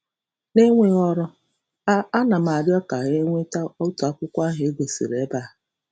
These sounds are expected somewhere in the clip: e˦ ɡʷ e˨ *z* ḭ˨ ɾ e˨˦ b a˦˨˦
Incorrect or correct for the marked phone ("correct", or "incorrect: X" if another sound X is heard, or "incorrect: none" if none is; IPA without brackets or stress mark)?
incorrect: s